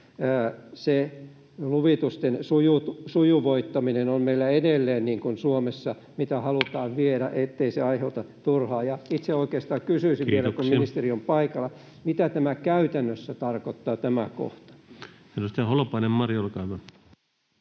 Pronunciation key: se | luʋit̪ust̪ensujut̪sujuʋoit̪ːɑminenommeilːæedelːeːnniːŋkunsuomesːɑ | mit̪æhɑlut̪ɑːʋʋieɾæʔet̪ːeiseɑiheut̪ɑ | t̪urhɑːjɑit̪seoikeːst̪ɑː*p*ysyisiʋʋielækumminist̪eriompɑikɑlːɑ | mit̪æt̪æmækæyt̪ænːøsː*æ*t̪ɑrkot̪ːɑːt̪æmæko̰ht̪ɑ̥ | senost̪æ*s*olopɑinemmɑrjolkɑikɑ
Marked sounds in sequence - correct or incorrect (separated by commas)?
incorrect, correct, incorrect